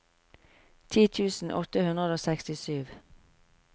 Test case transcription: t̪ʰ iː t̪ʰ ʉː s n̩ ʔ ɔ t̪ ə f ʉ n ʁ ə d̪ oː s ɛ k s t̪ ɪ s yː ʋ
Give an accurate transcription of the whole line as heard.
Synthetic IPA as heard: t̪ʰ iː t̪ʰ ʉː s n̩ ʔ ɔ t̪ ə h ʉ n ʁ ə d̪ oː s ɛ k s t̪ ɪ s yː ʋ